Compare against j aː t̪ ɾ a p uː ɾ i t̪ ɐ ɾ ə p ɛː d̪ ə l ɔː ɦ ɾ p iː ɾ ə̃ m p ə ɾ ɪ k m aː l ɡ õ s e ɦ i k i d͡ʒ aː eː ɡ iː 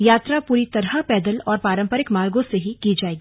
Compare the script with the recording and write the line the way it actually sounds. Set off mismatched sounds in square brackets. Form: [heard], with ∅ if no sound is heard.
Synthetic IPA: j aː t̪ ɾ a p uː ɾ i t̪ ɐ ɾ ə p ɛː d̪ ə l ɔː [∅] ɾ p [aː] ɾ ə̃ m p ə ɾ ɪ k m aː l ɡ õ s e ɦ i k i d͡ʒ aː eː ɡ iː